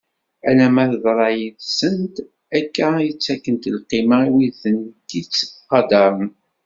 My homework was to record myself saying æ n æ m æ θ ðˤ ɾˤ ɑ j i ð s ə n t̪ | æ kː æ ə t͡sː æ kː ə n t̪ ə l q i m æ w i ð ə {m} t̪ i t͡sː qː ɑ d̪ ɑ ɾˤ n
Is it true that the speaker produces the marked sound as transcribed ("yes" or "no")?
no